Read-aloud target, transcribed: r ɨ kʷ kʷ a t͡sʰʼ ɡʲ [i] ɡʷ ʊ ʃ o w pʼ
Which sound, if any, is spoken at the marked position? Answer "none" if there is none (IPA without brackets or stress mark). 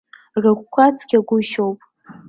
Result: a